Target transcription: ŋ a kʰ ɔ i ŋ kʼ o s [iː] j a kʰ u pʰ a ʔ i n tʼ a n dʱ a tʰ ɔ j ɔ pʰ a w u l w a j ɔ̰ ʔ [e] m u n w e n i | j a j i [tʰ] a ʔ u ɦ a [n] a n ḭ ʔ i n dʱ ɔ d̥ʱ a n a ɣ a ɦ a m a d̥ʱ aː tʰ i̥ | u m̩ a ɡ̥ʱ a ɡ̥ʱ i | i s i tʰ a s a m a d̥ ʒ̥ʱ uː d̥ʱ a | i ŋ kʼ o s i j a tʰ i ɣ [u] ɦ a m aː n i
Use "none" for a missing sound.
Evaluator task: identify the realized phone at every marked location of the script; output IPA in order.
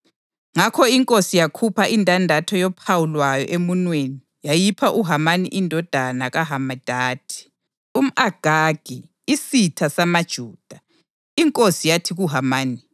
i, e, pʰ, m, u

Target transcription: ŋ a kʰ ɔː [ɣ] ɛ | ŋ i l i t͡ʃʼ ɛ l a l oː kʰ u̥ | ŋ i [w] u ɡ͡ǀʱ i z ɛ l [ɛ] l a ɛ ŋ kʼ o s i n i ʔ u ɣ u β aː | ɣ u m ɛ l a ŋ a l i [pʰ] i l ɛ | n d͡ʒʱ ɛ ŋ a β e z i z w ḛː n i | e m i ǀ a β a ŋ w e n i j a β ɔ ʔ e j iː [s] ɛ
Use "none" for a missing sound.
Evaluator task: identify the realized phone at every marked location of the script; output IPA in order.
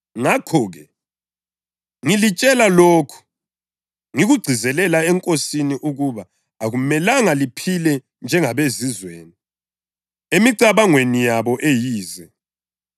ɣ, ɣ, ɛ, pʰ, z

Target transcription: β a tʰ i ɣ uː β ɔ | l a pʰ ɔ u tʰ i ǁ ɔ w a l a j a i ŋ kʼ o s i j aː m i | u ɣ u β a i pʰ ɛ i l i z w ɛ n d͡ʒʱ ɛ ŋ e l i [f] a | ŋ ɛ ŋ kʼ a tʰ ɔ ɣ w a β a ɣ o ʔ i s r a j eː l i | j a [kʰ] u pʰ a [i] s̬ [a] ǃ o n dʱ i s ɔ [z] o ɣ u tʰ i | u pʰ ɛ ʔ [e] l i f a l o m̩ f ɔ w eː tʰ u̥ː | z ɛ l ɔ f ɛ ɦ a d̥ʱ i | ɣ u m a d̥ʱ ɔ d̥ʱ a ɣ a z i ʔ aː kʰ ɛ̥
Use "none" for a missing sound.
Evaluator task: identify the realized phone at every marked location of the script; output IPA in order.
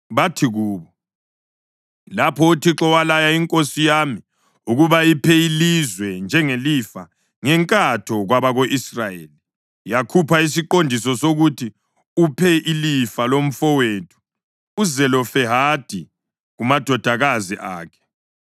f, kʰ, i, i, s, i

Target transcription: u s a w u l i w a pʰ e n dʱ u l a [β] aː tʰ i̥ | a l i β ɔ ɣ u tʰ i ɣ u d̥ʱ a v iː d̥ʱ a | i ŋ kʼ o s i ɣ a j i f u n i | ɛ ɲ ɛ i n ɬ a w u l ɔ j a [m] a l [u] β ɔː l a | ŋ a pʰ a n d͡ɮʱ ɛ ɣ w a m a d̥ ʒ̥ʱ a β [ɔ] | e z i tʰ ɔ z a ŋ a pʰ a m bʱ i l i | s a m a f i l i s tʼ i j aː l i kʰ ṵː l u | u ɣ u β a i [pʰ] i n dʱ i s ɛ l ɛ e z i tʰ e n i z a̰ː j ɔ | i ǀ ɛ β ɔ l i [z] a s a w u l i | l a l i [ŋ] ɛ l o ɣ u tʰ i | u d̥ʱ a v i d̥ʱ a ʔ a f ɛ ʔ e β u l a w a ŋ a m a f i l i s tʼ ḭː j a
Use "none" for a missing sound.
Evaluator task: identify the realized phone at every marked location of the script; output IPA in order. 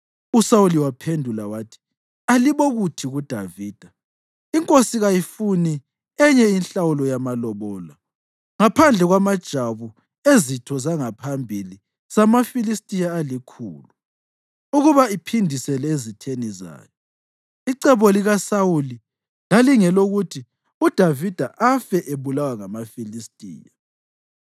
w, m, ɔ, u, pʰ, ɣ, ŋ

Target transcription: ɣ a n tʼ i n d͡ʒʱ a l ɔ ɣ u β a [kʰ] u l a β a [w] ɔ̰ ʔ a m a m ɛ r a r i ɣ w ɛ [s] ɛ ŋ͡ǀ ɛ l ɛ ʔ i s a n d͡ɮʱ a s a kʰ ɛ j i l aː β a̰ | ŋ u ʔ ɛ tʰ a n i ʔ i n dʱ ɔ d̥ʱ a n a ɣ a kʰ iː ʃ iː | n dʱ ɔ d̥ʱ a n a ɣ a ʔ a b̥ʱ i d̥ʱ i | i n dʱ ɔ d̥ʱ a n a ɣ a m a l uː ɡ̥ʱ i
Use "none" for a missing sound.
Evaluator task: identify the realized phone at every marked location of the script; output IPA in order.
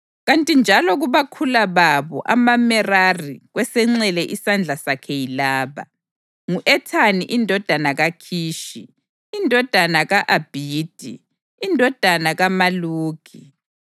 kʰ, β, s

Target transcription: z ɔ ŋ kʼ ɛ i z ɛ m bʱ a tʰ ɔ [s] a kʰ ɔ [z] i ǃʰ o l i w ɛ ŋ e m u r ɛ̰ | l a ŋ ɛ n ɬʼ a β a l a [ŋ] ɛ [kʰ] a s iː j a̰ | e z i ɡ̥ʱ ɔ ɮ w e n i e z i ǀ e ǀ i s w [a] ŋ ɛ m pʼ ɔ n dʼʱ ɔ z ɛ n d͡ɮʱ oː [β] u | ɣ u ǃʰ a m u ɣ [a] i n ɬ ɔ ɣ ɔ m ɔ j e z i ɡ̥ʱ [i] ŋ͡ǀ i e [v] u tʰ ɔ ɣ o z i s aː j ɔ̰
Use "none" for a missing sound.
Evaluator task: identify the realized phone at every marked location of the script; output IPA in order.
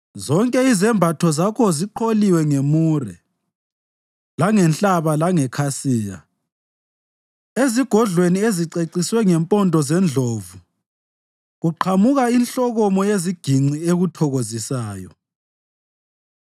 z, z, ŋ, kʰ, ɛ, v, a, i, ɣ

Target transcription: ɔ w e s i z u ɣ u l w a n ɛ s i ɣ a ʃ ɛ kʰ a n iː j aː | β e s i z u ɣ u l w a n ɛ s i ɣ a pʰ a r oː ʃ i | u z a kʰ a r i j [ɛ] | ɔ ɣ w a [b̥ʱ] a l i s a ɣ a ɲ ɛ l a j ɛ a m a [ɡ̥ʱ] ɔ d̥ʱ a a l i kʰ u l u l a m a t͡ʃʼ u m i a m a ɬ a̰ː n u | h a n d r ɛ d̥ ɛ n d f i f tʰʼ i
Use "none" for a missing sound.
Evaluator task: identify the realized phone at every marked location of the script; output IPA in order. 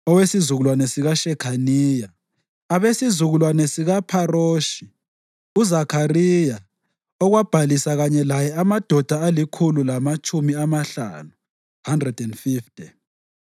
a, b̥ʱ, d̥ʱ

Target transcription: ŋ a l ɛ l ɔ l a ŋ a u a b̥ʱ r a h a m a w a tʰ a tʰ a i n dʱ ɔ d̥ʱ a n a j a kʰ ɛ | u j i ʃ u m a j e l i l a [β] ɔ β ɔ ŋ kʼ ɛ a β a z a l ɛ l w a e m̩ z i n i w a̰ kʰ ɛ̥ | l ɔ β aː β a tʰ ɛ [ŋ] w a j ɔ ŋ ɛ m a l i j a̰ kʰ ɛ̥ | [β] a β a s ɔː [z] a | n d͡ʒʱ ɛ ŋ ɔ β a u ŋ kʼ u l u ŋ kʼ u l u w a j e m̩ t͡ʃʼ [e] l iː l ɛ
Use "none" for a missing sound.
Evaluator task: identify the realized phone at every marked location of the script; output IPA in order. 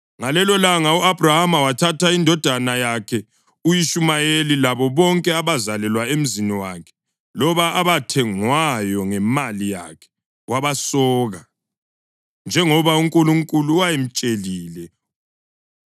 β, ŋ, w, ɣ, e

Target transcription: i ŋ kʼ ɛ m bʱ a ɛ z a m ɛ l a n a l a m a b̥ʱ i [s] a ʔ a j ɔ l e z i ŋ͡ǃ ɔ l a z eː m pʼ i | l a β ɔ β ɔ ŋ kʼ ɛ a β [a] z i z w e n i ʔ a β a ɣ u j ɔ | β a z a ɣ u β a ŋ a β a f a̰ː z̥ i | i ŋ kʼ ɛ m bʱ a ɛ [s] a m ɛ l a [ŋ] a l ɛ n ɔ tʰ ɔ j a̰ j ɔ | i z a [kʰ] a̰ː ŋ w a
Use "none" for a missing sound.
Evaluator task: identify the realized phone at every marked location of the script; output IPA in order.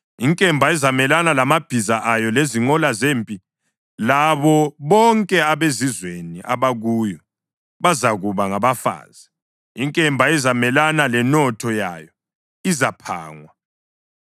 z, e, z, n, pʰ

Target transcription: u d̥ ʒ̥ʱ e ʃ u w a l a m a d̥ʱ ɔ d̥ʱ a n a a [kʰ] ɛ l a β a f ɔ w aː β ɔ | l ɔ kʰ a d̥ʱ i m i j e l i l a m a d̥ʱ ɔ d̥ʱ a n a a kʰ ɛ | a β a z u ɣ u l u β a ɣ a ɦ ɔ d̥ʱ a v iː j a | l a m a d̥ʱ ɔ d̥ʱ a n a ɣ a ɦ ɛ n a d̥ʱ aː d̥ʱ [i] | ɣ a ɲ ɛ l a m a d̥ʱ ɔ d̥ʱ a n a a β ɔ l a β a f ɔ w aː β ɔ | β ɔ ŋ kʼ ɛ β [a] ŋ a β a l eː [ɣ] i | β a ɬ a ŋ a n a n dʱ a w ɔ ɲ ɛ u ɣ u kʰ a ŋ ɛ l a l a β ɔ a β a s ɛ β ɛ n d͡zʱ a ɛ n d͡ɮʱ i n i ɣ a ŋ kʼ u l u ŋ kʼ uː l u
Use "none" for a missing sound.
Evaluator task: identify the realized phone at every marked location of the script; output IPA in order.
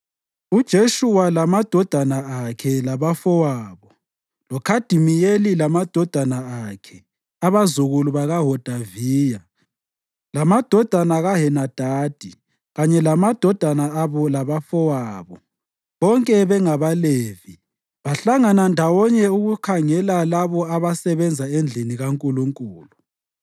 kʰ, i, ɛ, v

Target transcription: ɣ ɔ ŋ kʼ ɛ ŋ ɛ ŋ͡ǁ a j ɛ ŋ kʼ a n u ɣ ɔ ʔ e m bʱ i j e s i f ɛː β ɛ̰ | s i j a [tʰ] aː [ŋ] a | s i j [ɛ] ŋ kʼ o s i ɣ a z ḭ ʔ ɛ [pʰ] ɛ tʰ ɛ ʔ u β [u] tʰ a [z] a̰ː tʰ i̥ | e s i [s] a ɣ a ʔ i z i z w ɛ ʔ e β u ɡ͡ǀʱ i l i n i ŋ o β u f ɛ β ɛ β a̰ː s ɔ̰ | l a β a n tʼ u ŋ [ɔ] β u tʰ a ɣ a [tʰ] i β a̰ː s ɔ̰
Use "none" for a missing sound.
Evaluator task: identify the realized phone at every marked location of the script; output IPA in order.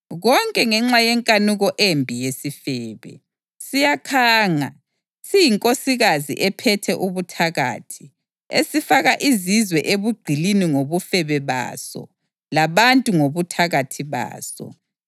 kʰ, ŋ, i, pʰ, u, ɣ, f, o, tʰ

